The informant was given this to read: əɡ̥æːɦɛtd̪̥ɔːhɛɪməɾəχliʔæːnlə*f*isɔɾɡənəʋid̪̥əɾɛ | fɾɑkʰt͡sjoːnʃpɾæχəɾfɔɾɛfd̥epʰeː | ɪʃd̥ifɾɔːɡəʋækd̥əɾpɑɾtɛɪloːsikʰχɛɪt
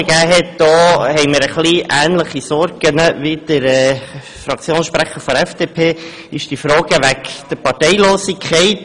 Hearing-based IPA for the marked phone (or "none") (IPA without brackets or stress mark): χ